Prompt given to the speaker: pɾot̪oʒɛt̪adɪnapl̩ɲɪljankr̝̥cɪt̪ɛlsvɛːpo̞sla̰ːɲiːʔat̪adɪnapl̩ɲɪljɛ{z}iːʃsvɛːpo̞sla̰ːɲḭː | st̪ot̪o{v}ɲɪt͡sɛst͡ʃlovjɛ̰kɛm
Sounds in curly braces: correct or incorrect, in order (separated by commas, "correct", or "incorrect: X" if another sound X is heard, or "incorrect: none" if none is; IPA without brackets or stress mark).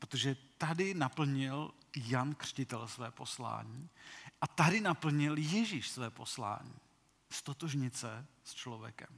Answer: incorrect: ʒ, incorrect: ʒ